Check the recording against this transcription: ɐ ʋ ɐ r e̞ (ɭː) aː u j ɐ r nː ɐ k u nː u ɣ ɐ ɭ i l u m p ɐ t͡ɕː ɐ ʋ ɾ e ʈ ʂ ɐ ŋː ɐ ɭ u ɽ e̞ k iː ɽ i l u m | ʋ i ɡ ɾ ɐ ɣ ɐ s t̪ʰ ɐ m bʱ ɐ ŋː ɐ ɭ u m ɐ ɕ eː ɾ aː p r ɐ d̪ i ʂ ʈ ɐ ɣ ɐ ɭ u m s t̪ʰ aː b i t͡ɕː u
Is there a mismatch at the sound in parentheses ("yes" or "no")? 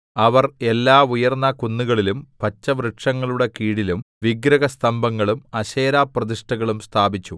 yes